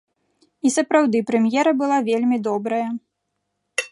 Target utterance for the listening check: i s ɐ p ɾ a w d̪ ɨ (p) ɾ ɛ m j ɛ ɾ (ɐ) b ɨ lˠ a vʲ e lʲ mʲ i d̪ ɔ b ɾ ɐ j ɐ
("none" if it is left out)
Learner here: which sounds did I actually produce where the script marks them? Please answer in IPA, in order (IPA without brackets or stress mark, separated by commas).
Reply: p, ɐ